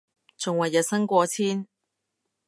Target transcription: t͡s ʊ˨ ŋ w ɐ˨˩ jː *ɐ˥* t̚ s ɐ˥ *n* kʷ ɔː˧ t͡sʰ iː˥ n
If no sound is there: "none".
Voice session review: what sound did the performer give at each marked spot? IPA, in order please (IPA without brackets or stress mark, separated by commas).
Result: ɐ˨, ŋ